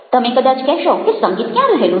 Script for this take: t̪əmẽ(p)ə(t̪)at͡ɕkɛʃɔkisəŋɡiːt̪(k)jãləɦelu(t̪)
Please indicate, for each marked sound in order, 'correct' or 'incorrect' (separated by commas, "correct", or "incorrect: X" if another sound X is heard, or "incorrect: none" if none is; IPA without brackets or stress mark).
incorrect: k, incorrect: d̪, correct, incorrect: none